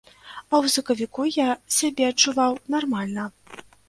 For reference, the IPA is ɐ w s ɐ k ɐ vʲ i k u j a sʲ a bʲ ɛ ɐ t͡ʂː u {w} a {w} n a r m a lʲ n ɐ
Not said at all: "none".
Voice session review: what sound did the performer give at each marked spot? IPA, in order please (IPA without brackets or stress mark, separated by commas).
v, w